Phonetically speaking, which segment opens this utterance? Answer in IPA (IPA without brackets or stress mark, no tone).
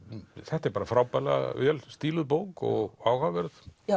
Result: θ